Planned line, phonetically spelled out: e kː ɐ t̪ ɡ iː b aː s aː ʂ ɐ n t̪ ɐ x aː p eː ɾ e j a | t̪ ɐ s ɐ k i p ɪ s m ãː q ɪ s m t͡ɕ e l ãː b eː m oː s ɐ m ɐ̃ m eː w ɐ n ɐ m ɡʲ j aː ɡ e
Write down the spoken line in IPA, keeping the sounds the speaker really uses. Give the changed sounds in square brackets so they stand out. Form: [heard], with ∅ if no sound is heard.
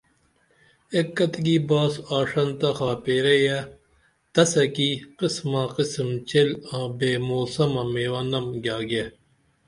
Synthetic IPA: e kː ɐ t̪ ɡ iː b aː s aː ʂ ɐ n t̪ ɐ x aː p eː ɾ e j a | t̪ ɐ s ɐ k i [q] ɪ s m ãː q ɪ s m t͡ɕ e l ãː b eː m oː s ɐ m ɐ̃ m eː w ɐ n ɐ m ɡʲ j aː ɡ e